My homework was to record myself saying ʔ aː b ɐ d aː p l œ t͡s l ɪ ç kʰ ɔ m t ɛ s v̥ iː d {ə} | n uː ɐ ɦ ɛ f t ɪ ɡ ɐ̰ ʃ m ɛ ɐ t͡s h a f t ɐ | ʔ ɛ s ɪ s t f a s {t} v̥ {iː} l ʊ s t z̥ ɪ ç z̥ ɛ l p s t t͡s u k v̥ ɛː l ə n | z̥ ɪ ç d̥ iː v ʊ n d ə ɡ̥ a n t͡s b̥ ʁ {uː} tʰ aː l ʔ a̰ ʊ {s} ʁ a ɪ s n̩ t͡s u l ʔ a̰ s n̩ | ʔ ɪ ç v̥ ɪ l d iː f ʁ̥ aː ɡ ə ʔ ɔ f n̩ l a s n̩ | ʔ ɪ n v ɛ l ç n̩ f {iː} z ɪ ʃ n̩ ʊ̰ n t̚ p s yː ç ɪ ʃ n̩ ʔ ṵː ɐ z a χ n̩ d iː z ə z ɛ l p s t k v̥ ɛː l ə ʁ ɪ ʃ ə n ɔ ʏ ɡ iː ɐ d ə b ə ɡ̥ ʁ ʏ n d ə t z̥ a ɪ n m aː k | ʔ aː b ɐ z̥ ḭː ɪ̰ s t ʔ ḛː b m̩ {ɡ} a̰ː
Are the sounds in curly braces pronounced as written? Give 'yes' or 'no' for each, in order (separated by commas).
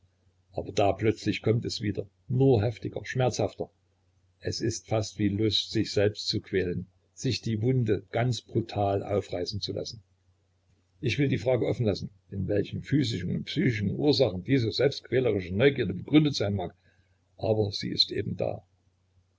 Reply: no, yes, yes, no, no, no, no